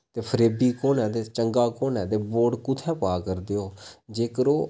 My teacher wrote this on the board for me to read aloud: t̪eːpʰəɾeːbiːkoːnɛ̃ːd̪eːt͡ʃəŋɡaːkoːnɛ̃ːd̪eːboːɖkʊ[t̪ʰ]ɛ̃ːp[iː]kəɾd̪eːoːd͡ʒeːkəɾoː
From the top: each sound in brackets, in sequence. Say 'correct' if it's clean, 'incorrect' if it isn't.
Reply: correct, incorrect: aː

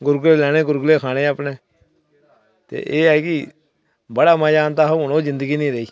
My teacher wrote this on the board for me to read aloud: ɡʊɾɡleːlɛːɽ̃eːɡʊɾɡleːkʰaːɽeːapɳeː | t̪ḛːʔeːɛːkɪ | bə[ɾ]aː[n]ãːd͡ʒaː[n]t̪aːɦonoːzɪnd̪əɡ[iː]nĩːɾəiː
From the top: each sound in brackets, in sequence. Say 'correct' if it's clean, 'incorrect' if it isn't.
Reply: incorrect: ɽ, incorrect: m, correct, correct

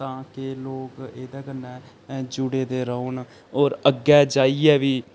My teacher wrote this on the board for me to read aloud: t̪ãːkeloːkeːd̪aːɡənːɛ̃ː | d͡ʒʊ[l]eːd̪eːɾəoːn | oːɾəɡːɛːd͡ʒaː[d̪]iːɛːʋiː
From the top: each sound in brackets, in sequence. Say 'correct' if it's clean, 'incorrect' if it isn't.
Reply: incorrect: ɽ, incorrect: none

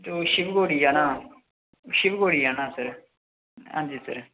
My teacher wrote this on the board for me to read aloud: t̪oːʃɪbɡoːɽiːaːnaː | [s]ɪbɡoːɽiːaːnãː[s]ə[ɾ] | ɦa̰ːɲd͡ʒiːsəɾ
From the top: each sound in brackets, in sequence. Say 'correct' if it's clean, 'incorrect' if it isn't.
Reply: incorrect: ʃ, correct, correct

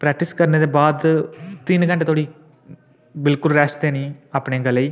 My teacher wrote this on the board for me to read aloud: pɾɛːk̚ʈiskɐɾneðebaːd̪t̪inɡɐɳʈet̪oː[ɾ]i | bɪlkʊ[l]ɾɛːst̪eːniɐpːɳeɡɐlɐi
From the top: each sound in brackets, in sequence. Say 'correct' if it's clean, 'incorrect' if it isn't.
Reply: incorrect: ɽ, correct

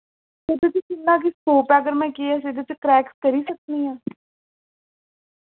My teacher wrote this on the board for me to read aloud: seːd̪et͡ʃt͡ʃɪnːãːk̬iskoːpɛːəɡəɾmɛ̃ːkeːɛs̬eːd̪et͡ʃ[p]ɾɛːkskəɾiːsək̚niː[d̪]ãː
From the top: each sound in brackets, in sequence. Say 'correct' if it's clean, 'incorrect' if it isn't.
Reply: incorrect: k, incorrect: none

